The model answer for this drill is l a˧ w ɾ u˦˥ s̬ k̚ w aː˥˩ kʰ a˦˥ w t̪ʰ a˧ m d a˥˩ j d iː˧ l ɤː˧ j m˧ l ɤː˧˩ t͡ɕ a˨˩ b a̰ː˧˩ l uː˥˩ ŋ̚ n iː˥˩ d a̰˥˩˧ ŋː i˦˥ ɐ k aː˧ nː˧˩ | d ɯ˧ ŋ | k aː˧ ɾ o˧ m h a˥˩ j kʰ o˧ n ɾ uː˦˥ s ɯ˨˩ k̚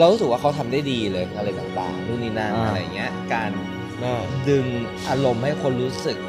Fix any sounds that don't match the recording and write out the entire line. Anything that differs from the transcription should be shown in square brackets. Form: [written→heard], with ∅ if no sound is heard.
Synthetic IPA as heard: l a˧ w ɾ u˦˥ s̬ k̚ w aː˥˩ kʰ a˦˥ w t̪ʰ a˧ m d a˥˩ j d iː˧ l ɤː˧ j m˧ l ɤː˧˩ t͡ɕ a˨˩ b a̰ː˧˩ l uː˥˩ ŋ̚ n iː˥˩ [d→n] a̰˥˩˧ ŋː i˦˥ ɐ k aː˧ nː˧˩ | d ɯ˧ ŋ | [k→ʔ] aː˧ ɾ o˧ m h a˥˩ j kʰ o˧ n ɾ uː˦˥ s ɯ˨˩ k̚